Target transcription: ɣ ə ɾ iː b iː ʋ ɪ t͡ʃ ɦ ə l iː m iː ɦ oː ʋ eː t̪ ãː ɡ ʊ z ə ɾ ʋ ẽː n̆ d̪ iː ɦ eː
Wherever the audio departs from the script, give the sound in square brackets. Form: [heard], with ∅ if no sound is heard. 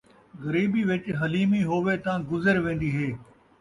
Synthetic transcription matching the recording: ɣ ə ɾ iː b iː ʋ ɪ t͡ʃ ɦ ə l iː m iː ɦ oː ʋ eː t̪ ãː ɡ ʊ z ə ɾ ʋ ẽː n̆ d̪ iː ɦ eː